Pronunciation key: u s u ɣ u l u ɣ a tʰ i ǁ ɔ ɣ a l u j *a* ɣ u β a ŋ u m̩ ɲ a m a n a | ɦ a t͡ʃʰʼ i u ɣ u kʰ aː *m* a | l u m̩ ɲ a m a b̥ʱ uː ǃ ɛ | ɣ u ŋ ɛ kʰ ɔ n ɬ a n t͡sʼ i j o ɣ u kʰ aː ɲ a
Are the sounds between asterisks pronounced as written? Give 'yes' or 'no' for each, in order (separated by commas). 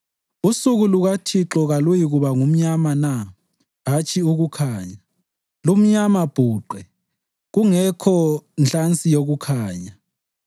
no, no